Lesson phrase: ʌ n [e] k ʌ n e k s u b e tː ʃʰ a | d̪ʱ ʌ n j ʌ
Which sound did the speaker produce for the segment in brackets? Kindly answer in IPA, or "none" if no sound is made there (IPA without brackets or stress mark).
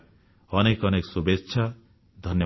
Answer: e